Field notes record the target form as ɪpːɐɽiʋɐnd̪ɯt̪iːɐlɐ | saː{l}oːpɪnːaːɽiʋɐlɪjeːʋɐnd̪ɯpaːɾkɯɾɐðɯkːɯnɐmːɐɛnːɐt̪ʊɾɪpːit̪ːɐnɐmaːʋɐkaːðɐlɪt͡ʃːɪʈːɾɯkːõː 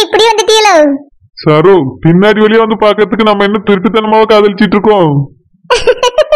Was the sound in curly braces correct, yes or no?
no